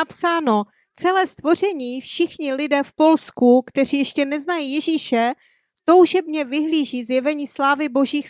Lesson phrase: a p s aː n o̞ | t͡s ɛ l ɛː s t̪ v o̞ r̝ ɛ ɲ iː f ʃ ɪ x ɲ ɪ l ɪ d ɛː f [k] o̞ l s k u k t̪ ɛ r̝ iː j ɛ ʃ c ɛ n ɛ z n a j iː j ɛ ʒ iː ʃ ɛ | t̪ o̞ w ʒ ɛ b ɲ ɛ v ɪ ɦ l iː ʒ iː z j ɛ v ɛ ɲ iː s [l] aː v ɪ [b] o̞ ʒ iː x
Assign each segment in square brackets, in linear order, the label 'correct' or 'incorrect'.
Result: incorrect: p, correct, correct

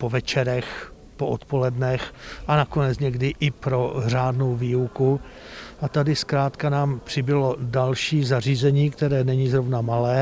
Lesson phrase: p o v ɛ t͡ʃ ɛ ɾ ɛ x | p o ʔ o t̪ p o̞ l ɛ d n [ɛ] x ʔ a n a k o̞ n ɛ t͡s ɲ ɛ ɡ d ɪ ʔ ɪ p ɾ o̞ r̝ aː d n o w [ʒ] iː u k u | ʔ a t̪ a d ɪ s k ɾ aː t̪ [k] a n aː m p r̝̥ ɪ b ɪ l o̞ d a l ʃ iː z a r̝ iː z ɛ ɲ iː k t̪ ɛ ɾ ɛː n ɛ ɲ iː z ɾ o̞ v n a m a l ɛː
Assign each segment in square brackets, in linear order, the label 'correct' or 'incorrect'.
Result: correct, incorrect: v, correct

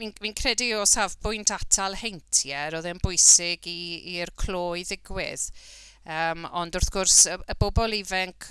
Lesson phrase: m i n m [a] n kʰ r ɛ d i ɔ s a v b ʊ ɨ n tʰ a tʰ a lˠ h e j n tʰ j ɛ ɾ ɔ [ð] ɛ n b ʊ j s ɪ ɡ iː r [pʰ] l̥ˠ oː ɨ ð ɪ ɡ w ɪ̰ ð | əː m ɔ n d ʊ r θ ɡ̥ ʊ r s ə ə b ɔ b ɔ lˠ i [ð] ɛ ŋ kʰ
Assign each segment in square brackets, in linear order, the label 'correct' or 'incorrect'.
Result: incorrect: i, correct, incorrect: kʰ, incorrect: v

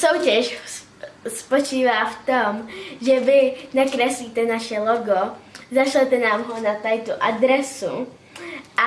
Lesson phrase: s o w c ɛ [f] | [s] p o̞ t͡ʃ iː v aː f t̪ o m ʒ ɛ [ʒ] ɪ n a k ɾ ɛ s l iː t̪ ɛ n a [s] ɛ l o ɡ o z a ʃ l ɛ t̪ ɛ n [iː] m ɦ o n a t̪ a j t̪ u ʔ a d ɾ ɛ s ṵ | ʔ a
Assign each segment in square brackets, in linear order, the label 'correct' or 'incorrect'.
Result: incorrect: ʃ, correct, incorrect: v, incorrect: ʃ, incorrect: aː

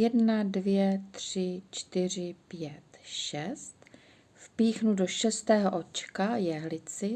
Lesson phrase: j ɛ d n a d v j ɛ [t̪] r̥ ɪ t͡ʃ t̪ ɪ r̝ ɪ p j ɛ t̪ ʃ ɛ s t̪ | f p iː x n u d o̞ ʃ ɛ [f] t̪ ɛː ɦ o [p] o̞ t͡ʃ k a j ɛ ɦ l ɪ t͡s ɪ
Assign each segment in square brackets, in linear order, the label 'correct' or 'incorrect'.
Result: correct, incorrect: s, incorrect: ʔ

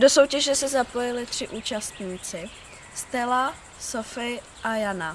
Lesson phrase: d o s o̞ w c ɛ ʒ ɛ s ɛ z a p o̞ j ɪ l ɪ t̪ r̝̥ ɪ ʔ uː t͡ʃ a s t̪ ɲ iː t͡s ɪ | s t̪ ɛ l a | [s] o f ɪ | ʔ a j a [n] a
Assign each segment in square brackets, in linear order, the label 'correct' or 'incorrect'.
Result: correct, correct

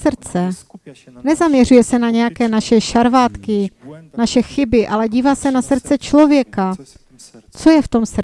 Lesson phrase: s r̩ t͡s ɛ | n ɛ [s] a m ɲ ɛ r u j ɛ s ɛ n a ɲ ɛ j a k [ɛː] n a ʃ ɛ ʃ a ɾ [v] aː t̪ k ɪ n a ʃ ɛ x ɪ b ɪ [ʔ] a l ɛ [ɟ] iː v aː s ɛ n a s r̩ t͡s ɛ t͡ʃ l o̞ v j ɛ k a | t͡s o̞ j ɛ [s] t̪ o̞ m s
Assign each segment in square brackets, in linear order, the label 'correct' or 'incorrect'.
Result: incorrect: z, correct, correct, correct, correct, incorrect: f

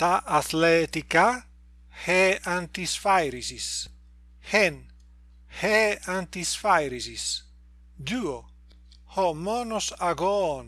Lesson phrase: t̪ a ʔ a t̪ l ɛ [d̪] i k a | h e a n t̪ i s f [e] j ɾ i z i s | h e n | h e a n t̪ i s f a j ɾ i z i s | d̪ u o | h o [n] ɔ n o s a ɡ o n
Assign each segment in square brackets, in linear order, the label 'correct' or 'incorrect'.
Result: incorrect: t̪, incorrect: a, incorrect: m

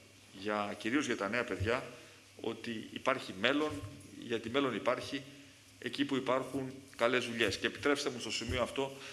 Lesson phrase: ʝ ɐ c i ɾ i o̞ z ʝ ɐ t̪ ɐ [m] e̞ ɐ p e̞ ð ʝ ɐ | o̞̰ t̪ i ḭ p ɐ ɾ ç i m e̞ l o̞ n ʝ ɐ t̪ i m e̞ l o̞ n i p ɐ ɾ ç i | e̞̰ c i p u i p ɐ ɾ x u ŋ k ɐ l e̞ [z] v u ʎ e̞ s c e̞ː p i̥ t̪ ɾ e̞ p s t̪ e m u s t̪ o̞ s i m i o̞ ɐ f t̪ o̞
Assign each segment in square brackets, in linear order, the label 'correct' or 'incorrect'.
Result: incorrect: n, correct

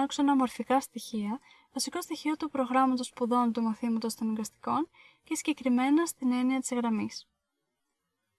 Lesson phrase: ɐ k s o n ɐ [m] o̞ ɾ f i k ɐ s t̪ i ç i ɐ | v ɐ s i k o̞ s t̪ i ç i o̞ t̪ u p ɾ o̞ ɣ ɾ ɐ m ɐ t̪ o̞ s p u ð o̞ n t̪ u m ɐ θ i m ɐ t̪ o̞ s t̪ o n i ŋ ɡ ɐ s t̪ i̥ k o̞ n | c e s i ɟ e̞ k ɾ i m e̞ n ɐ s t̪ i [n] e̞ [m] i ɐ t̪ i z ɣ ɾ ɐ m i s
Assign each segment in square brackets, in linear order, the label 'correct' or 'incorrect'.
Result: correct, correct, incorrect: n

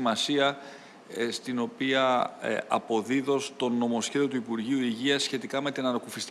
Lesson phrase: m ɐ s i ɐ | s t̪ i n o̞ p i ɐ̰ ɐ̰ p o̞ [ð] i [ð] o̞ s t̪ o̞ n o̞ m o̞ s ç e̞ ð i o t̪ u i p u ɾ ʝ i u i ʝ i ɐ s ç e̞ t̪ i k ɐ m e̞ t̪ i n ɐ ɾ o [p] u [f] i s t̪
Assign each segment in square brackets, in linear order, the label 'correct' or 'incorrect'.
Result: correct, correct, incorrect: k, correct

